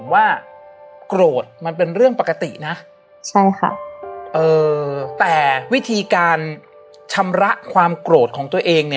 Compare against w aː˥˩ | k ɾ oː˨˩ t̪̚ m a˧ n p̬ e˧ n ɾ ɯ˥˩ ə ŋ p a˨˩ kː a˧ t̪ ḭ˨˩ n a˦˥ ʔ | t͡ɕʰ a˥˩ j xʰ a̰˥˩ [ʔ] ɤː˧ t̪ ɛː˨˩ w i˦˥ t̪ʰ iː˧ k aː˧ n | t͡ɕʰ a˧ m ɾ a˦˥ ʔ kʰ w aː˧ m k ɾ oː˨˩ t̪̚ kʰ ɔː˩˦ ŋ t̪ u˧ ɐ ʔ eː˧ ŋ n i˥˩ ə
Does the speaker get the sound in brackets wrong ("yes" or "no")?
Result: no